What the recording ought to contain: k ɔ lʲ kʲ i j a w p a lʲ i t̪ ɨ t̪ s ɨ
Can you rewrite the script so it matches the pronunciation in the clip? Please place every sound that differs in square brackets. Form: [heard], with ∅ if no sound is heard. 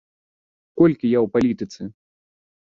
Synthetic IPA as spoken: k ɔ lʲ kʲ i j a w p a lʲ i t̪ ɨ t̪ s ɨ